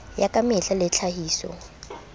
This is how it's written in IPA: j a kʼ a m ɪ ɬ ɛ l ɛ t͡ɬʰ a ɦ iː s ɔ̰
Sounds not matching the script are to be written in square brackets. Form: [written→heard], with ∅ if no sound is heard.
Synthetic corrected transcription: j a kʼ a m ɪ ɬ [ɛ→a] l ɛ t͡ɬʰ a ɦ iː s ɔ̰